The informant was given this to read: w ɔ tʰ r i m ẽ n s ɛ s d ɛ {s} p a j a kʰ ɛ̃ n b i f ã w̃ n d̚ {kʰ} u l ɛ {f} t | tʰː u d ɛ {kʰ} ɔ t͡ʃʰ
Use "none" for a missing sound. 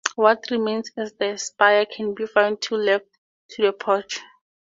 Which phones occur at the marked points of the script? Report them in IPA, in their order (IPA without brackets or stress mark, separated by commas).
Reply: s, tʰ, f, pʰ